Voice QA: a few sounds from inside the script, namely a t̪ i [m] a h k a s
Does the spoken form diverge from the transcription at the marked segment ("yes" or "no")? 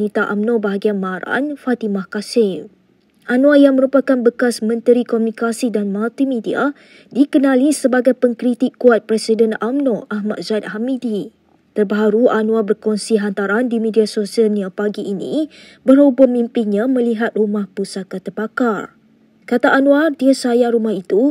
no